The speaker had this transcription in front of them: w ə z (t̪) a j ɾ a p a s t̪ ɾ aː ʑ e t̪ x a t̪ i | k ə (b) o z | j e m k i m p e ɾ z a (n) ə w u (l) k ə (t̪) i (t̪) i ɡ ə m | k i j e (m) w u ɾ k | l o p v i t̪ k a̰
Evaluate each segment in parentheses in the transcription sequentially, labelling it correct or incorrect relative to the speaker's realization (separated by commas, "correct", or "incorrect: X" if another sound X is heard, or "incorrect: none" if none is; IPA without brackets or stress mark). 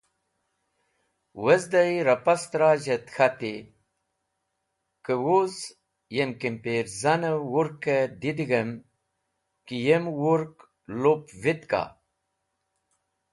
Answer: incorrect: d̪, incorrect: w, correct, incorrect: ɾ, incorrect: d̪, incorrect: d̪, correct